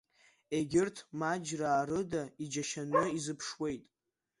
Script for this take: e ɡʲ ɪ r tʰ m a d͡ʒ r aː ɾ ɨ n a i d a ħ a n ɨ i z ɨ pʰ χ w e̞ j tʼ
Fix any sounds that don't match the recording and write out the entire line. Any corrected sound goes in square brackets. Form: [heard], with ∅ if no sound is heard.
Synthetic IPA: e ɡʲ ɪ r tʰ m a d͡ʒ r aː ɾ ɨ [d] a i [d͡ʒ] a [ʃ] a n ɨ i z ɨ pʰ [ʂ] w e̞ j tʼ